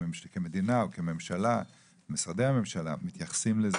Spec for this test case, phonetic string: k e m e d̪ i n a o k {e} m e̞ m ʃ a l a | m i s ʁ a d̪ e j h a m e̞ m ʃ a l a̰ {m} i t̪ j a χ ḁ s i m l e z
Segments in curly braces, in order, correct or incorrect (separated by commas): correct, correct